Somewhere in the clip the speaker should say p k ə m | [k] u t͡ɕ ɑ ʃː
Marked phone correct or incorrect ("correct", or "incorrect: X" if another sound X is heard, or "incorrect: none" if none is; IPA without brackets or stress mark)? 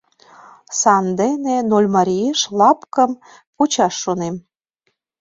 incorrect: p